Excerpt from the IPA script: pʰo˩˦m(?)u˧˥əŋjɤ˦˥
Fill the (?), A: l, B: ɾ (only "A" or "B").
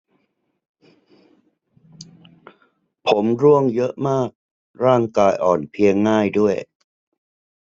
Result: B